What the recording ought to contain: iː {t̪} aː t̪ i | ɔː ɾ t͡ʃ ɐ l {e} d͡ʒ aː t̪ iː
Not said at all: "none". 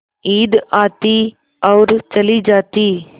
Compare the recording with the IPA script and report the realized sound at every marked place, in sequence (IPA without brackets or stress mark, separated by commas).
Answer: d̪, i